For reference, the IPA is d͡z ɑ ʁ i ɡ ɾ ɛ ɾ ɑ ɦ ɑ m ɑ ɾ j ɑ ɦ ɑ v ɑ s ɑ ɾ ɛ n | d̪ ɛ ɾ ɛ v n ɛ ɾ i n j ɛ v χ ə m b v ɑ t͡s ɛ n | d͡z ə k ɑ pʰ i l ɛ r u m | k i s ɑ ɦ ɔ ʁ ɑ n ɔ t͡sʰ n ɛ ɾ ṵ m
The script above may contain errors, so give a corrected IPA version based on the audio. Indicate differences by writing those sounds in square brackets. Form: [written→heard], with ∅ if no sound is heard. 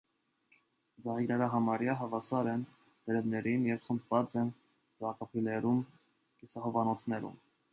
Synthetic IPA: d͡z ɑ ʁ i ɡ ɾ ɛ ɾ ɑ ɦ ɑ m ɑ ɾ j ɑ ɦ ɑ v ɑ s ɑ ɾ ɛ n | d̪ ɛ ɾ ɛ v n ɛ ɾ i n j ɛ v χ ə m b v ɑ t͡s ɛ n | d͡z [ə→ɑ] k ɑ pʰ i l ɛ [r→ɾ] u m | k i s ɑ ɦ ɔ [ʁ→v] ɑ n ɔ t͡sʰ n ɛ ɾ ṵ m